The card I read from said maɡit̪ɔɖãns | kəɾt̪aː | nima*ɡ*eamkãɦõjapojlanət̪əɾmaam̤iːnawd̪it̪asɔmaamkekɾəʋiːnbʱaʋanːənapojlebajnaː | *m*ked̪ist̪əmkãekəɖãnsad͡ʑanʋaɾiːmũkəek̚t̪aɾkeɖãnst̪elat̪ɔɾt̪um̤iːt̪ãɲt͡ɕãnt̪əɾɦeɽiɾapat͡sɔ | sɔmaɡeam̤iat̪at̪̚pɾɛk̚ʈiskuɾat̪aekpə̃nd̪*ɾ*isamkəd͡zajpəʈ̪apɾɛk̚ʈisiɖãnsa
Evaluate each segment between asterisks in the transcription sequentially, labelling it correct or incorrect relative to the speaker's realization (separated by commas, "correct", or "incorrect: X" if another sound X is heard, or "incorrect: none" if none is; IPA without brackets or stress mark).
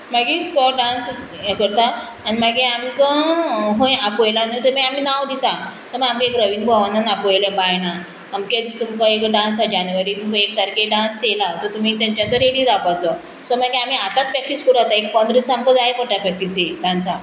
correct, correct, correct